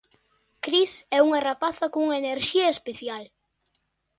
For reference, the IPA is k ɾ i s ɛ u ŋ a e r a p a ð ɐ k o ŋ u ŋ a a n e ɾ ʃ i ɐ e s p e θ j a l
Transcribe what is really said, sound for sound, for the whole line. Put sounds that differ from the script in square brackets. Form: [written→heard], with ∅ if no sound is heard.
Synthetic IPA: k ɾ i s ɛ u ŋ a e r a p a [ð→θ] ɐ k o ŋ u ŋ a [a→e] n e ɾ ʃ i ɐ e s p e θ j a l